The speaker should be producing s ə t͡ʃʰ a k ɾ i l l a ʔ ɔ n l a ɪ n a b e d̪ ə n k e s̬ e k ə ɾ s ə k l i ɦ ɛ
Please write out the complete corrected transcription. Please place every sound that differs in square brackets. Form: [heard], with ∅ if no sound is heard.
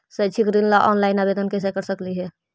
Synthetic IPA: s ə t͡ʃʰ [i] k ɾ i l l a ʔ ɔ n l a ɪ n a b e d̪ ə n k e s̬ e k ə ɾ s ə k l i ɦ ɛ